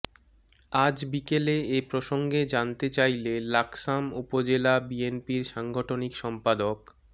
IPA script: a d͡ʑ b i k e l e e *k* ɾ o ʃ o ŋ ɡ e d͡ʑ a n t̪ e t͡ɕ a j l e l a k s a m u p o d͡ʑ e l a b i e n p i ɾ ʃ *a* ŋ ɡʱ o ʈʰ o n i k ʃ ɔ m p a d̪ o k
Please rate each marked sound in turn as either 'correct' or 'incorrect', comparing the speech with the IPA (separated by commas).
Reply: incorrect, correct